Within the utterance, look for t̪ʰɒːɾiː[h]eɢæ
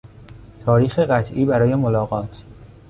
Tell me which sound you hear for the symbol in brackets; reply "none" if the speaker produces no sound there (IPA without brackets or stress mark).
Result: x